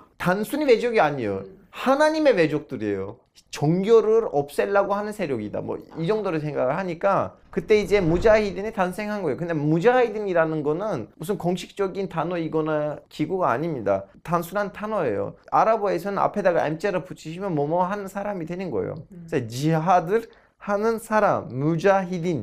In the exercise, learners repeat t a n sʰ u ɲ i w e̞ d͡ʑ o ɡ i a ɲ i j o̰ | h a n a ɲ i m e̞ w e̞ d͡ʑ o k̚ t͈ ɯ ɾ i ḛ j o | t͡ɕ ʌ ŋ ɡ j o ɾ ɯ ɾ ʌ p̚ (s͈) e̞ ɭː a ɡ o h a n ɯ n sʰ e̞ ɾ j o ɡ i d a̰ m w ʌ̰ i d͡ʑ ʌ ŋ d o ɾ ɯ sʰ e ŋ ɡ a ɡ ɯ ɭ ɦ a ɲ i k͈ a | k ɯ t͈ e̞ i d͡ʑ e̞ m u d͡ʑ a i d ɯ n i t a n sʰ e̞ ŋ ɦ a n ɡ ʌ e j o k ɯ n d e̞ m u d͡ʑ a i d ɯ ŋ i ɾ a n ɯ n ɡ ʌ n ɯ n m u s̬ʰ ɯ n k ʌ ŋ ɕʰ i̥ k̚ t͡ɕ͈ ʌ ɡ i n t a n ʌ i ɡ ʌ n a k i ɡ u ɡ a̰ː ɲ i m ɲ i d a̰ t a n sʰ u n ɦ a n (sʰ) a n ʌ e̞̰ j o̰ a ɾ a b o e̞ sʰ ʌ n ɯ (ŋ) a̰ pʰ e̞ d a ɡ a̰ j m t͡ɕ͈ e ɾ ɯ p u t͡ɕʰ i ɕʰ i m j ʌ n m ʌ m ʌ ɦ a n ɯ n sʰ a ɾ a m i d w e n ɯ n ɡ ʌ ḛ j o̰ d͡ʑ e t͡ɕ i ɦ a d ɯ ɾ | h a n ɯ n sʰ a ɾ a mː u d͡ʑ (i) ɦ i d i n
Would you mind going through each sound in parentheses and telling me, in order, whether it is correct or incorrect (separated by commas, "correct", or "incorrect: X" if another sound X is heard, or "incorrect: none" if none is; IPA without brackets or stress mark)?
correct, incorrect: tʰ, incorrect: n, incorrect: a